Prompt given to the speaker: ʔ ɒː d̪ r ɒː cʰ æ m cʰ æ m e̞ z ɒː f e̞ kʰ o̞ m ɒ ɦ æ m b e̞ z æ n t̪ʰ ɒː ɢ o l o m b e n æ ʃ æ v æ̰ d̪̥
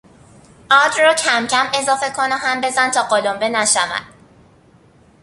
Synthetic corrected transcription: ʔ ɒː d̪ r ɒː cʰ æ m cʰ æ m e̞ z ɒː f e̞ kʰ o̞ n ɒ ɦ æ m b e̞ z æ n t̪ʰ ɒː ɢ o l o m b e n æ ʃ æ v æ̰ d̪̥